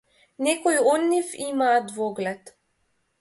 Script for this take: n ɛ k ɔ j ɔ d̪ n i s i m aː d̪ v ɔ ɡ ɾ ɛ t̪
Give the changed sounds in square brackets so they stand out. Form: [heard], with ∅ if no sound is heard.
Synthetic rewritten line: n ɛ k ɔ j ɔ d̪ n i [f] i m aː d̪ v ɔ ɡ [l] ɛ t̪